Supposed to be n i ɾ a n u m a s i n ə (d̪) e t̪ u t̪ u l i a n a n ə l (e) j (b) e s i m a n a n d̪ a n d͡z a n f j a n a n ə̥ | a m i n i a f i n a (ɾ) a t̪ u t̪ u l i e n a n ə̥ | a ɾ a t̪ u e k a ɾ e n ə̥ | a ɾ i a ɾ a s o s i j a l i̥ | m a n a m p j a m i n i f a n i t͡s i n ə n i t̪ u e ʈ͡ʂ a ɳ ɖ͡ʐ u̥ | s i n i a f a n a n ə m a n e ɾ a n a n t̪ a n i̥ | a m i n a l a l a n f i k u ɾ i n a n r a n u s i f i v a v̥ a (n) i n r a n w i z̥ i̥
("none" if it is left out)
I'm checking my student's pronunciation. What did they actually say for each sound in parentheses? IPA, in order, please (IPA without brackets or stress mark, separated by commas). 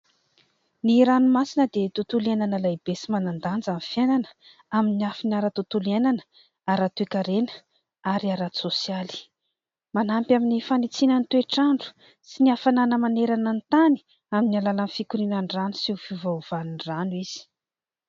d̪, a, b, ɾ, n